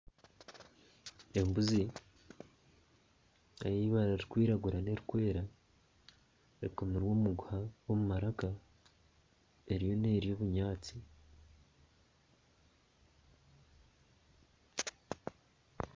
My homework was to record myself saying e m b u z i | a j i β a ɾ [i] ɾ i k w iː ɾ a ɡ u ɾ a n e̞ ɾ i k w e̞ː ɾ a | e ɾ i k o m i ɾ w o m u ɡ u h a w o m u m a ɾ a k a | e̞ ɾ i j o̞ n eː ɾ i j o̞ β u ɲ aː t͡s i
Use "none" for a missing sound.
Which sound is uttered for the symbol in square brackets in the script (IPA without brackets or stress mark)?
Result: a